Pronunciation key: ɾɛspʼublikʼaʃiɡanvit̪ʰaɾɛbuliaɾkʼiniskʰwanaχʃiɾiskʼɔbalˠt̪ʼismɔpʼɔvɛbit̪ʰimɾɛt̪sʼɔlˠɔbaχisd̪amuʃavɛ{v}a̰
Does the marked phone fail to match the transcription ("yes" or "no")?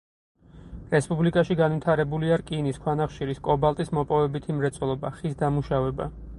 yes